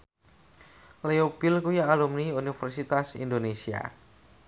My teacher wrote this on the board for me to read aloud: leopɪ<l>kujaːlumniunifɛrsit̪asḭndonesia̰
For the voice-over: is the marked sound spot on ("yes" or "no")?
yes